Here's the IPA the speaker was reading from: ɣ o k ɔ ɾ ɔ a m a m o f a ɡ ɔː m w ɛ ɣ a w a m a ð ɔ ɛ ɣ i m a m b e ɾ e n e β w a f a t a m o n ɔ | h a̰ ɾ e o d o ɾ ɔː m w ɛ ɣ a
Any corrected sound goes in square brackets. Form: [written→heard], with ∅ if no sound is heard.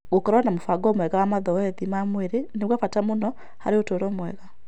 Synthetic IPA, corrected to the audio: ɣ o k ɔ ɾ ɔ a [m→n] a m o f a ɡ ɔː m w ɛ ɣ a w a m a ð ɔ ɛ [ɣ→ð] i m a m [b→w] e ɾ e n e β w a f a t a m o n ɔ | h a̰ ɾ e o [d→t] o ɾ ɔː m w ɛ ɣ a